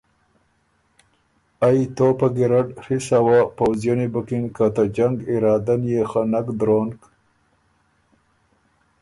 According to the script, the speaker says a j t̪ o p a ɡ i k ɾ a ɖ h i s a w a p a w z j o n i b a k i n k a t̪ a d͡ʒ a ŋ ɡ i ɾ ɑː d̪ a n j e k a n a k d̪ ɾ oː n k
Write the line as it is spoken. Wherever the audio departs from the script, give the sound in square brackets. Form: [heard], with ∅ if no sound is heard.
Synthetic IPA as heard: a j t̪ o p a ɡ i [∅] ɾ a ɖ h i s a w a p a w z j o n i b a k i n k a t̪ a d͡ʒ a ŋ ɡ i ɾ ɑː d̪ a n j e [x] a n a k d̪ ɾ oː n k